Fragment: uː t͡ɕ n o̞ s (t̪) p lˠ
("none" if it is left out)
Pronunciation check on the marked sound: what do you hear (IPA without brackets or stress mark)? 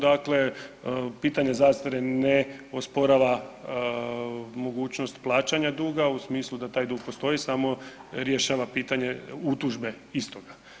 t̪